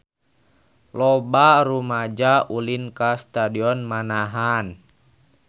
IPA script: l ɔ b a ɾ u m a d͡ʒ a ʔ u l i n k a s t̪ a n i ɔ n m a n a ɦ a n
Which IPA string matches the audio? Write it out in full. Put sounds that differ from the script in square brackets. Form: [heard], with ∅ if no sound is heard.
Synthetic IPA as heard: l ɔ b a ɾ u m a d͡ʒ a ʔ u l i n k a s t̪ a [d] i ɔ n m a n a ɦ a n